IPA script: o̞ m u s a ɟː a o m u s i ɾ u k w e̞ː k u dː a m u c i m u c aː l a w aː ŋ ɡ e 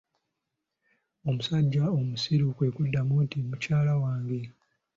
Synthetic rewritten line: o̞ m u s a ɟː a o m u s i ɾ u k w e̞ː k u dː a m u t i m u c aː l a w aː ŋ ɡ e